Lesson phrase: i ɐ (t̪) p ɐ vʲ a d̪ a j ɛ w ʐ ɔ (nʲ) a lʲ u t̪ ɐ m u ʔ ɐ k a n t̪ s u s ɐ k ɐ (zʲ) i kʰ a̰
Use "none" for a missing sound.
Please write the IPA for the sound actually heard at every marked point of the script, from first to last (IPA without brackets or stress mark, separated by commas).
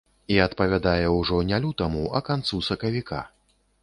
t̪, nʲ, vʲ